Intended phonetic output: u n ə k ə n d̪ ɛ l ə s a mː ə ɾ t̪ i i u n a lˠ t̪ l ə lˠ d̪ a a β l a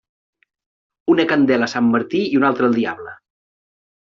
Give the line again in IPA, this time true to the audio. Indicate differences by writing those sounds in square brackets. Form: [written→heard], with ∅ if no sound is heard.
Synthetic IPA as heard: u n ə k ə n d̪ ɛ l ə s a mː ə ɾ t̪ i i u n a lˠ t̪ [l→ɾ] ə lˠ d̪ [a→i] a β l [a→ə]